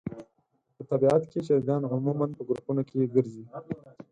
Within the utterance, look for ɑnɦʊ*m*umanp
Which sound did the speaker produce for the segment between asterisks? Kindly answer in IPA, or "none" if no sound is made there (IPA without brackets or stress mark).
m